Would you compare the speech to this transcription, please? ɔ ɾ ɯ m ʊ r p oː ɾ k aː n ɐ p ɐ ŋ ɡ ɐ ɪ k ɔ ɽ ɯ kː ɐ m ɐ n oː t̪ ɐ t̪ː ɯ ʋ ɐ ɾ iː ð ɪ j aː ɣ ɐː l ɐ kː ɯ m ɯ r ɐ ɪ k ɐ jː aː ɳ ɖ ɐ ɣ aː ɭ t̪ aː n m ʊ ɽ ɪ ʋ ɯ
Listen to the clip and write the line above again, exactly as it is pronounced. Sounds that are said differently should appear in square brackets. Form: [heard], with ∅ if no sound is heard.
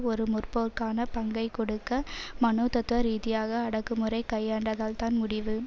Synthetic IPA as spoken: ɔ ɾ ɯ m ʊ r p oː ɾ k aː n ɐ p ɐ ŋ ɡ ɐ ɪ k ɔ ɽ ɯ kː ɐ m ɐ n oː t̪ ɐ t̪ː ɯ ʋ ɐ ɾ iː ð ɪ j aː ɣ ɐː [ɽ] ɐ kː ɯ m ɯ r ɐ ɪ k ɐ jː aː ɳ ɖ ɐ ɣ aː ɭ t̪ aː n m ʊ ɽ ɪ ʋ ɯ